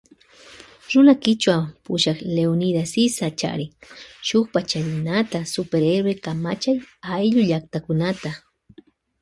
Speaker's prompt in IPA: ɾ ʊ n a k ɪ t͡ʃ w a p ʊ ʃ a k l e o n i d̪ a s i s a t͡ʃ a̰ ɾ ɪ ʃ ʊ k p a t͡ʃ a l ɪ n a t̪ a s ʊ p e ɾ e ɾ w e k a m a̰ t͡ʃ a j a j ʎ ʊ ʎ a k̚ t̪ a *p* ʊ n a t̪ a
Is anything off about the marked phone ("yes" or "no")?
yes